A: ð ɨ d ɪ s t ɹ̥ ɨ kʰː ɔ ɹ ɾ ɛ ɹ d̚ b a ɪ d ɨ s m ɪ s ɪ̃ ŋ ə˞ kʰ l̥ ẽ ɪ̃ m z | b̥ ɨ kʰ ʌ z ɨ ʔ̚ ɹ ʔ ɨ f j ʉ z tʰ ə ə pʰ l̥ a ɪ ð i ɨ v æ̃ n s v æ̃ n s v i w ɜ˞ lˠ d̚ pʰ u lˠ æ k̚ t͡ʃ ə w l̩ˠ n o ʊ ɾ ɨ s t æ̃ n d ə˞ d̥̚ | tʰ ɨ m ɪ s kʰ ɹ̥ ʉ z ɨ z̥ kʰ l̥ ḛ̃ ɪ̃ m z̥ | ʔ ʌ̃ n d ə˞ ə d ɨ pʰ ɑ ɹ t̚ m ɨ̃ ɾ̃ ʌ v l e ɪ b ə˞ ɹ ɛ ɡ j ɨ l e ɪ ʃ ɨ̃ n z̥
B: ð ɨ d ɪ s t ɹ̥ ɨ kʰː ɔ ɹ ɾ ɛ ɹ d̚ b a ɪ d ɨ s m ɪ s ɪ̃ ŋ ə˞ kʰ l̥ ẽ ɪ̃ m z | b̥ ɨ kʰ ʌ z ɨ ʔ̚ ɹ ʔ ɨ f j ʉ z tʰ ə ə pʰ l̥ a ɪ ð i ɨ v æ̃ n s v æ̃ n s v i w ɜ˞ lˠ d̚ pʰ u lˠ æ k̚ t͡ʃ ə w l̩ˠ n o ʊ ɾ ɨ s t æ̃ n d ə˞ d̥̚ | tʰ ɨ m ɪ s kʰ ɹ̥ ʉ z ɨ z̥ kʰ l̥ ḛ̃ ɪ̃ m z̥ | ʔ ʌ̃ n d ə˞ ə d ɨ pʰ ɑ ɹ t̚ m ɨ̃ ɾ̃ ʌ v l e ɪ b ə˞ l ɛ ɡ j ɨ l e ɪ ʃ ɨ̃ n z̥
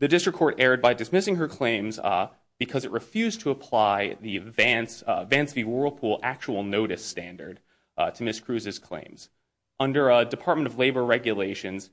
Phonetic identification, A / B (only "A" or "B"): A